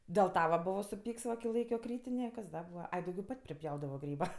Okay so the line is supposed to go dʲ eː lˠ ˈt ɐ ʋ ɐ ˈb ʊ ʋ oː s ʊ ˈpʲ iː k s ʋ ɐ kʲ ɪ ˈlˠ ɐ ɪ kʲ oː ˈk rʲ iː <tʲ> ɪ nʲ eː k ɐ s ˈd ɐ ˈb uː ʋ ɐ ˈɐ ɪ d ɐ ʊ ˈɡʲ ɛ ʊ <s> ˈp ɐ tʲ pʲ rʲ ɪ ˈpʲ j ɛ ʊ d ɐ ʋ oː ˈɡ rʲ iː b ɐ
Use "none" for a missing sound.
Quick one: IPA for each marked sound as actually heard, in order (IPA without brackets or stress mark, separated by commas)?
tʲ, none